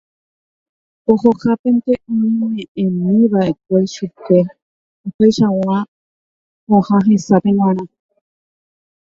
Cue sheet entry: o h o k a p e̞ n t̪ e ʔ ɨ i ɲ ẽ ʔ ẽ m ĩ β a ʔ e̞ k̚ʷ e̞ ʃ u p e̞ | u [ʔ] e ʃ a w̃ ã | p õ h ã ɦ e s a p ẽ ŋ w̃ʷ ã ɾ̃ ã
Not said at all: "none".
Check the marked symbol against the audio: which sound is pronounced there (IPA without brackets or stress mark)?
p